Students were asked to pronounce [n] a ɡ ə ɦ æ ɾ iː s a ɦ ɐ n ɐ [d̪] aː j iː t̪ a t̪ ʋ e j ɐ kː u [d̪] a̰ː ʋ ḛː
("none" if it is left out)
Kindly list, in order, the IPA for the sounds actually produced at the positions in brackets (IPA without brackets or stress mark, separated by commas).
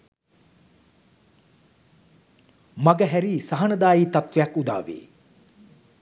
m, d̪, d̪